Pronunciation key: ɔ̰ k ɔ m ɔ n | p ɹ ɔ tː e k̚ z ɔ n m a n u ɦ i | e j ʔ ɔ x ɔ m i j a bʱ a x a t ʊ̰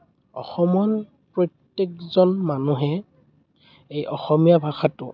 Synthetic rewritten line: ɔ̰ x ɔ m ɔ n | p ɹ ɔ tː e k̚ z ɔ n m a n u ɦ ɛ | e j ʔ ɔ x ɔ m i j a bʱ a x a t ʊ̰